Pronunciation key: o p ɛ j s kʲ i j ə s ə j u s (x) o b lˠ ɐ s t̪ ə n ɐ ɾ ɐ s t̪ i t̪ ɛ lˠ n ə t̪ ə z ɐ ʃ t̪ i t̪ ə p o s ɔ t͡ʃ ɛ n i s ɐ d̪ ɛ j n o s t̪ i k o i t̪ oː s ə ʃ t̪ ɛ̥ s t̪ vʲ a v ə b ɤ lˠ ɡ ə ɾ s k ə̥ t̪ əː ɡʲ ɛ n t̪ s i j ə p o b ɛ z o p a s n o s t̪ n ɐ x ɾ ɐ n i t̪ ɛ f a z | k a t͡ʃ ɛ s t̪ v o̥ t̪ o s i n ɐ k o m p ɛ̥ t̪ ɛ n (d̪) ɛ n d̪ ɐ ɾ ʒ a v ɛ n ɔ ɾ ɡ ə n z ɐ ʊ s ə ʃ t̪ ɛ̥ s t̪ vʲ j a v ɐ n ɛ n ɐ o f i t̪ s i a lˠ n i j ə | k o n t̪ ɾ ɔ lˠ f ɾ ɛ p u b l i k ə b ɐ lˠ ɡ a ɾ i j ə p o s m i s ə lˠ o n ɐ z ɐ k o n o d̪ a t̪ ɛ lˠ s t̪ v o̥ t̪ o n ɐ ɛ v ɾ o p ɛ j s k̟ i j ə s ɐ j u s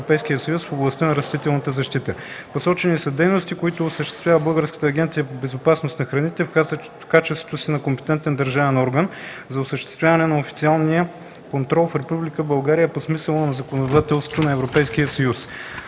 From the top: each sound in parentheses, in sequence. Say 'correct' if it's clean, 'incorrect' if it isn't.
incorrect: f, incorrect: t̪

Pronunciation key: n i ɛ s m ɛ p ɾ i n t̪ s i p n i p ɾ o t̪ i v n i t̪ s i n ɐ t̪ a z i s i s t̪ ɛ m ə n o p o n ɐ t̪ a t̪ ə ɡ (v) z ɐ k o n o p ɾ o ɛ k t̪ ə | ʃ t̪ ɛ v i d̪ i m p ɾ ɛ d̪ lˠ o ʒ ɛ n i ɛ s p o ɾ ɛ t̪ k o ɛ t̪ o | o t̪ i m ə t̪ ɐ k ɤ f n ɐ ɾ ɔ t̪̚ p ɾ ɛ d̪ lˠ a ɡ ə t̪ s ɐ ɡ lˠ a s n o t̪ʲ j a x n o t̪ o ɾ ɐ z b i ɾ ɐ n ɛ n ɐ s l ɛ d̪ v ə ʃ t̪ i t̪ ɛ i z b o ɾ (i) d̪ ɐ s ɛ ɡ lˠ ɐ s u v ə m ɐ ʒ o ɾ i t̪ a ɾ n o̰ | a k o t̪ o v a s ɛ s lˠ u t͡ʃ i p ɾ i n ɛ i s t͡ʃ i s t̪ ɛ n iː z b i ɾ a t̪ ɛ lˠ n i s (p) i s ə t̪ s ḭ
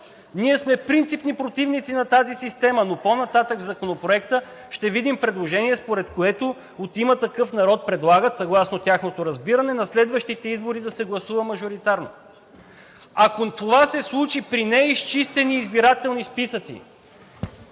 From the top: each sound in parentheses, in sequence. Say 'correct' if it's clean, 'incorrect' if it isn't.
correct, correct, correct

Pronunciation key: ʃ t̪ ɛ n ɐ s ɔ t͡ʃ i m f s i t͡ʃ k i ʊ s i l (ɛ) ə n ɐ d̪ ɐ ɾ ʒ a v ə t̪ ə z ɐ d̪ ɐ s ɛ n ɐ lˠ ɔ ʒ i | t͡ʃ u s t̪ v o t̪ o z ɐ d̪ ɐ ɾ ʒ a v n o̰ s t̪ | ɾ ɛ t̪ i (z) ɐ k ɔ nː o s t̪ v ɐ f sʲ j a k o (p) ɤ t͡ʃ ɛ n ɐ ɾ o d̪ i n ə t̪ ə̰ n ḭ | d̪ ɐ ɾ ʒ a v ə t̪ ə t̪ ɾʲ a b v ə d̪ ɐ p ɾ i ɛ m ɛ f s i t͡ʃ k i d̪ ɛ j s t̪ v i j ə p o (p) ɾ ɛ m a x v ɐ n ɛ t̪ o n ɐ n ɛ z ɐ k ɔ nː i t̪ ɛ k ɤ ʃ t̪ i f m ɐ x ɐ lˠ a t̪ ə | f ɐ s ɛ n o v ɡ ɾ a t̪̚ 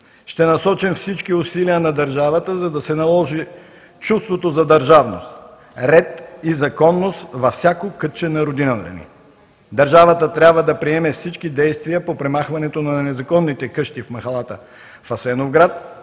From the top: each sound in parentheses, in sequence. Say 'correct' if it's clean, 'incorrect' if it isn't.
incorrect: i, correct, incorrect: k, correct

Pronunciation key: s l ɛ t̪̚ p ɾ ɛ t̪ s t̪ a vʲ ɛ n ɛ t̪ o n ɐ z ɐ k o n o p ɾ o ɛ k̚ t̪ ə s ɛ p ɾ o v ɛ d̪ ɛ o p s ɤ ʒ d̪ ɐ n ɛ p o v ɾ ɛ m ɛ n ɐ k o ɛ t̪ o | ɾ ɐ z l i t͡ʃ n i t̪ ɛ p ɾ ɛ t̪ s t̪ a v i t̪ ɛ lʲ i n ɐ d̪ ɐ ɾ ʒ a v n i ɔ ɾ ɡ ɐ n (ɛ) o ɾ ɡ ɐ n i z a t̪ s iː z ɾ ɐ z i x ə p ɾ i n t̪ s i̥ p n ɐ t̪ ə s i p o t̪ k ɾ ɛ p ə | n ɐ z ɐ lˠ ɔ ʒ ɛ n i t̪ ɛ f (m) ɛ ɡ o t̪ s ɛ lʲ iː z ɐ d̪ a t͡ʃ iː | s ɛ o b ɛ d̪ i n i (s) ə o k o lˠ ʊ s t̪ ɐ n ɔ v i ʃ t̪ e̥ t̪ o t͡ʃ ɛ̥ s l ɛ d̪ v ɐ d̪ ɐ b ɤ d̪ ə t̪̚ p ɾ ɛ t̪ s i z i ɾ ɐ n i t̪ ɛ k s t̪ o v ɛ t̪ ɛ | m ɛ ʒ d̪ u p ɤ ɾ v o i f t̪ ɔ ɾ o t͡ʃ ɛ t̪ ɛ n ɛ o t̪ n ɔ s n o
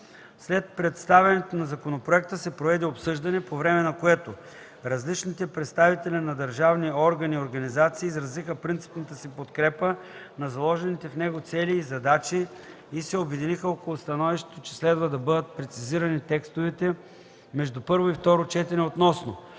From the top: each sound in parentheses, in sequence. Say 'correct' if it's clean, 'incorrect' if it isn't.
incorrect: i, incorrect: n, incorrect: x

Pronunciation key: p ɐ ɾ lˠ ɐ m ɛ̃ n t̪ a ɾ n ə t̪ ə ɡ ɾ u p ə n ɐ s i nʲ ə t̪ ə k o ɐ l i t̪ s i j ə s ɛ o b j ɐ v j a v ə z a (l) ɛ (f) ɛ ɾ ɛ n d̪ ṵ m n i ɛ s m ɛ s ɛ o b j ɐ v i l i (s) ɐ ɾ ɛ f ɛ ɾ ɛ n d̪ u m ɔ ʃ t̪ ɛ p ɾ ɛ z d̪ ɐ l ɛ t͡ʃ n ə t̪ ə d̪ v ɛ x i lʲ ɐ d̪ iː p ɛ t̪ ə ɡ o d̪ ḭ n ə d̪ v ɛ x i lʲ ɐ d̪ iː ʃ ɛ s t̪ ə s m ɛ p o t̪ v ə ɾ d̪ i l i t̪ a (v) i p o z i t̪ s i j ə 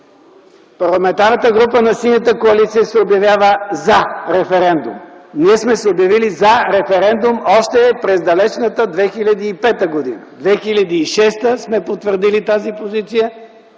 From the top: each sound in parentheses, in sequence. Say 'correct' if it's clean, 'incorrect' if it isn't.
incorrect: ɾ, correct, incorrect: z, incorrect: z

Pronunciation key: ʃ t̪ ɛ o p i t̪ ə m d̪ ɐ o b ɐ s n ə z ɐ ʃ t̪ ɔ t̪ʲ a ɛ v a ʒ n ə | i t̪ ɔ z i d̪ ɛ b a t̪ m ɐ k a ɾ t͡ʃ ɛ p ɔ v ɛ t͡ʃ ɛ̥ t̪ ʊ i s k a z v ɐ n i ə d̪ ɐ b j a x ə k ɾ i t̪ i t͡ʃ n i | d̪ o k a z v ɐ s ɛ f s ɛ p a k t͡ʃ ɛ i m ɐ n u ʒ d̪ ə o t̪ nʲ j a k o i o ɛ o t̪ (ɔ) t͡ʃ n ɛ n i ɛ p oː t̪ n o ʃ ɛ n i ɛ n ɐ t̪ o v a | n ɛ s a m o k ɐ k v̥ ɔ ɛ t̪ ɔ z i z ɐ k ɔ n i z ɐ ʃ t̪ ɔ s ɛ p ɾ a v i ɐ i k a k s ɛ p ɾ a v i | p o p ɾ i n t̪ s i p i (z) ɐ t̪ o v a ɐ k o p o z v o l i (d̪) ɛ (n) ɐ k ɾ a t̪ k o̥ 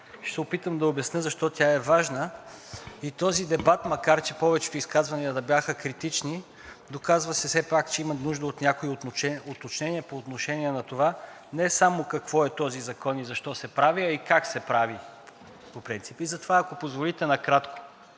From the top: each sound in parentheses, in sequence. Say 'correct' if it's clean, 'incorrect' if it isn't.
incorrect: o, correct, incorrect: t̪, correct

